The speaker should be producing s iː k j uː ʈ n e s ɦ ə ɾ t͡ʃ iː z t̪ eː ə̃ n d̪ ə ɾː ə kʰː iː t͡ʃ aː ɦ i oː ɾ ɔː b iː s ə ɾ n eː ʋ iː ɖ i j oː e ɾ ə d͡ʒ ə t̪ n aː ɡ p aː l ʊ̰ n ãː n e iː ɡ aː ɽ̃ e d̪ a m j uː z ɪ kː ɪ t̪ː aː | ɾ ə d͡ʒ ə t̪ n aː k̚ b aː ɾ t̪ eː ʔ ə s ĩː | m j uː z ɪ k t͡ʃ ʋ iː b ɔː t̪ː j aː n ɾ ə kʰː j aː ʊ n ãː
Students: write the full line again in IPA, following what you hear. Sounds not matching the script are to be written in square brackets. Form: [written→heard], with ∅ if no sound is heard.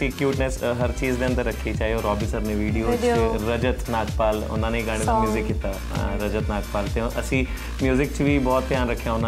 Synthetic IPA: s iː k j uː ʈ n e s ɦ ə ɾ t͡ʃ iː z [t̪→d̪] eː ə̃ n d̪ ə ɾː ə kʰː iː t͡ʃ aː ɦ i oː ɾ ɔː b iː s ə ɾ n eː ʋ iː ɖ i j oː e ɾ ə d͡ʒ ə t̪ n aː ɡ p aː l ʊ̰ n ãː n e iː ɡ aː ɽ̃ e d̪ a m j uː z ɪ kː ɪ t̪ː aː | ɾ ə d͡ʒ ə t̪ n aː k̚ [b→p] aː [ɾ→l] t̪ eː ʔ ə s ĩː | m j uː z ɪ k t͡ʃ ʋ iː b ɔː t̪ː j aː n ɾ ə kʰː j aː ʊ n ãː